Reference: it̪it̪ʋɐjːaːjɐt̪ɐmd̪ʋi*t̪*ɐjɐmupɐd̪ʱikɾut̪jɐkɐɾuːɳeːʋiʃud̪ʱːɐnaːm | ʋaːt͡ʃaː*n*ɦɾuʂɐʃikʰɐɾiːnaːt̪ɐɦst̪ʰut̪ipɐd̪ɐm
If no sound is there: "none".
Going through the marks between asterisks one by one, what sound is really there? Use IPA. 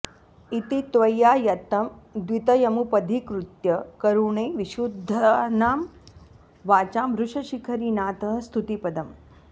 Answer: t̪, m

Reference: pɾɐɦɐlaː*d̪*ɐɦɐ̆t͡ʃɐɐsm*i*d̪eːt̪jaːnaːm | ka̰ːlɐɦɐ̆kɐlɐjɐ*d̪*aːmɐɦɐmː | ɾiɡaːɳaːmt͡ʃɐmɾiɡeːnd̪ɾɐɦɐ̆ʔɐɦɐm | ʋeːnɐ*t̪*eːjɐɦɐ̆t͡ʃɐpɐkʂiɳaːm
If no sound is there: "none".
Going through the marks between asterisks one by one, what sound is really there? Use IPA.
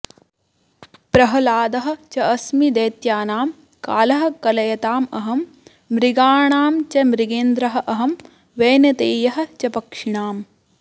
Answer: d̪, i, t̪, t̪

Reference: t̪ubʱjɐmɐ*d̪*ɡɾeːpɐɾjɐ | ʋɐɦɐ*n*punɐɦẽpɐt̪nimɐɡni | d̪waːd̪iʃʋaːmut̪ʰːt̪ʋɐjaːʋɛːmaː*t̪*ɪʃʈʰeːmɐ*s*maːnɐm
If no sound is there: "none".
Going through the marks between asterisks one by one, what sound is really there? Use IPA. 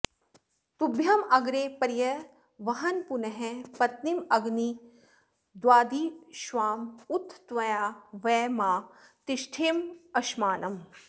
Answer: none, n, t̪, ʃ

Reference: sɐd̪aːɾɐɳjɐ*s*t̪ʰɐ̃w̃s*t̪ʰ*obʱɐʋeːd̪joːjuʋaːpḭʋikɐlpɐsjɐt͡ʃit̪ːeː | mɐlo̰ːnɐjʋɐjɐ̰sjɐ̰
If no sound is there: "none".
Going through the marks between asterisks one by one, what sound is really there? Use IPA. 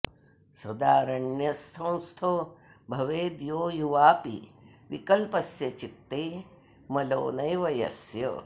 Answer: s, t̪ʰ

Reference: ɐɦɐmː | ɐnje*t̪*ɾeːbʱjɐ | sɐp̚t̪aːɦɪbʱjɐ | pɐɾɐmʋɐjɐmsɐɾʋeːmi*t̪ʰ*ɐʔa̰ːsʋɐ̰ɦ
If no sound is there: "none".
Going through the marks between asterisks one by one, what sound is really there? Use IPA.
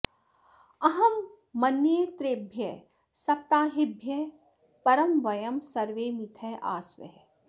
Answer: t̪, t̪ʰ

